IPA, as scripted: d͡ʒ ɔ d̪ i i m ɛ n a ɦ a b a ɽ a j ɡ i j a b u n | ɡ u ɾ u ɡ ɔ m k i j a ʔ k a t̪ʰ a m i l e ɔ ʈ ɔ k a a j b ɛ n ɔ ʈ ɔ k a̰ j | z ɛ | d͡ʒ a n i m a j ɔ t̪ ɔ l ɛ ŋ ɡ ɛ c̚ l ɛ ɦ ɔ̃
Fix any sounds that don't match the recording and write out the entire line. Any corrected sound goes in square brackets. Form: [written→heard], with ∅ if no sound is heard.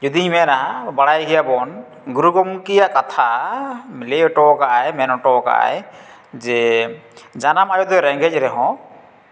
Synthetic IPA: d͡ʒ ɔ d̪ i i m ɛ n a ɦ a b a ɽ a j ɡ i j a b [u→ɔ] n | ɡ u ɾ u ɡ ɔ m k i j a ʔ k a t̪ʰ a m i l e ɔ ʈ ɔ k a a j [b→m] ɛ n ɔ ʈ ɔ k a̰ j | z ɛ | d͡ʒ a n [i→a] m a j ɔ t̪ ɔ [l→ɾ] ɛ ŋ ɡ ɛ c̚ [l→ɾ] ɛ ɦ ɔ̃